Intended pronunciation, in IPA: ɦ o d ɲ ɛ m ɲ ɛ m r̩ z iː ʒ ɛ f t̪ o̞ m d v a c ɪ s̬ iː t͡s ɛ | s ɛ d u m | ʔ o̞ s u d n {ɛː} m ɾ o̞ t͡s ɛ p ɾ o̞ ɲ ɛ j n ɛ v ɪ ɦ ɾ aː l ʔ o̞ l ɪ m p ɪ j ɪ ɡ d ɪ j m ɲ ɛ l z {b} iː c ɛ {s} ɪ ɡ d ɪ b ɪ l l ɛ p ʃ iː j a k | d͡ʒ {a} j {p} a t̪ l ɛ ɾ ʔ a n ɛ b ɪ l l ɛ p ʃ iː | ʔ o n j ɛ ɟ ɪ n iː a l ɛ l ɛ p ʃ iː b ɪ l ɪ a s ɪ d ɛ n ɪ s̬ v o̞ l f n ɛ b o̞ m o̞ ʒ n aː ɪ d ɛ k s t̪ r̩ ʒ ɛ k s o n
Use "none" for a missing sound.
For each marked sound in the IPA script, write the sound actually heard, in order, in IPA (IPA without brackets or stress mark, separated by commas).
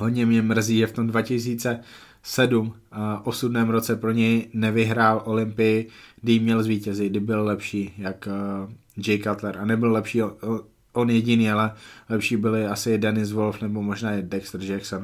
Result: ɛː, v, z, ɛ, k